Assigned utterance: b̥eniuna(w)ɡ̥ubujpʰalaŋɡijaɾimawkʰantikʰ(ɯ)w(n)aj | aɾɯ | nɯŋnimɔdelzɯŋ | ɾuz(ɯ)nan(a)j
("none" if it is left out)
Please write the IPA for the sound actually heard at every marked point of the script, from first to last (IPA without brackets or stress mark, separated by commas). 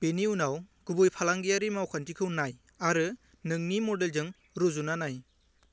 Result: w, ɯ, n, u, a